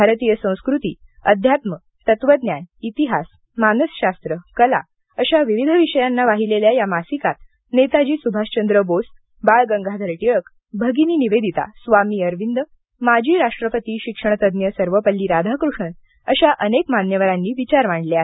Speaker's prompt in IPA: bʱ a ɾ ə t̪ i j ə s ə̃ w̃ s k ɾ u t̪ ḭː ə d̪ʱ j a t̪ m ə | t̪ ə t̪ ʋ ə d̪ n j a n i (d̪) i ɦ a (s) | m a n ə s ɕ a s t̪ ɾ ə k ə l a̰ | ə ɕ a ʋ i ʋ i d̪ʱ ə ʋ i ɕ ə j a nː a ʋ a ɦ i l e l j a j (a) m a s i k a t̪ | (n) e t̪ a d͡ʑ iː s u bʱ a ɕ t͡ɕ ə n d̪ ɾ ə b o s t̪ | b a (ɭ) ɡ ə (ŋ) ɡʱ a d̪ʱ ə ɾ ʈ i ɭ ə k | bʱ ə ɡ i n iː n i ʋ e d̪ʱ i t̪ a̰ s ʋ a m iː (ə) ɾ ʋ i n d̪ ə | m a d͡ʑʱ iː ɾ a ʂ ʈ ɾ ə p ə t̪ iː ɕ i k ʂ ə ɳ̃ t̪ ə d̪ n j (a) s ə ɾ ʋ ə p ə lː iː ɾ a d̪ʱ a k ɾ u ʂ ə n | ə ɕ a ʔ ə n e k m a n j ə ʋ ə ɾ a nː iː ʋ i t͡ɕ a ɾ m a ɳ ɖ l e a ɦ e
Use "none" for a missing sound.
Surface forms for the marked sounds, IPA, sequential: t̪, s, a, n, ɭ, ŋ, ə, ə

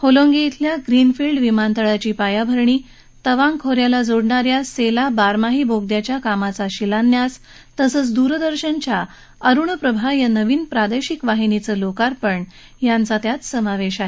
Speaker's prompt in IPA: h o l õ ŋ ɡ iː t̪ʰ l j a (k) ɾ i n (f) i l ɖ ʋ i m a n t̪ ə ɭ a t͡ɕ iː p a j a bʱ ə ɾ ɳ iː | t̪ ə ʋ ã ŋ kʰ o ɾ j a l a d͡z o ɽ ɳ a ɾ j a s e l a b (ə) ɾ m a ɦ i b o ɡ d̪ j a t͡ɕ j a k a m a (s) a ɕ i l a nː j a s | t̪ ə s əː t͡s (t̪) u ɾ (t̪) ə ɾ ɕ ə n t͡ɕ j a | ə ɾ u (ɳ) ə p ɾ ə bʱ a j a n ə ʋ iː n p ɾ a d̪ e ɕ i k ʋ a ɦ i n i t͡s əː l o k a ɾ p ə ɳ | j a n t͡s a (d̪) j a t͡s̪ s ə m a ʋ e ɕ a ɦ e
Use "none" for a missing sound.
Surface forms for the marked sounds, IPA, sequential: ɡ, f, a, t͡s, d̪, d̪, ɳ, t̪

